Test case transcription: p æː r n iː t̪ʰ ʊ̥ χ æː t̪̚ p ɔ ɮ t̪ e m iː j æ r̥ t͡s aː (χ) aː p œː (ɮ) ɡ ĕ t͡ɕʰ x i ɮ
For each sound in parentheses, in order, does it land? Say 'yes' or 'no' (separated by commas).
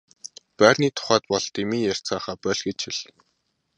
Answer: yes, yes